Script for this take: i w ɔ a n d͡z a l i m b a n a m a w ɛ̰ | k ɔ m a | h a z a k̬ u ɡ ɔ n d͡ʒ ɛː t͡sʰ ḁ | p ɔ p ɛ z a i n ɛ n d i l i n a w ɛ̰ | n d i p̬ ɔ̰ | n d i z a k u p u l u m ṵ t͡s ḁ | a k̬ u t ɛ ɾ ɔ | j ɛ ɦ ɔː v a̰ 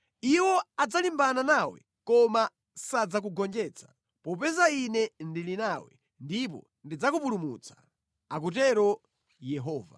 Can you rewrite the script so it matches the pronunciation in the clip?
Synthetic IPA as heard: i w ɔ a d͡z a l i m b a n a n a w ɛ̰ | k ɔ m a | s a d͡z a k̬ u ɡ ɔ n d͡ʒ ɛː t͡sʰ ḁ | p ɔ p ɛ z a i n ɛ n d i l i n a w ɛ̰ | n d i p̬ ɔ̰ | n d i d͡z a k u p u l u m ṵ t͡s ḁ | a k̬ u t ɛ ɾ ɔ | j ɛ ɦ ɔː v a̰